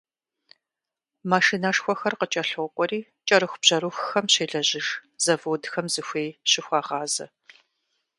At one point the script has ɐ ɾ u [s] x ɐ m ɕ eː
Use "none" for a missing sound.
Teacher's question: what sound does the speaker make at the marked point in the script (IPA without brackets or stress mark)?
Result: x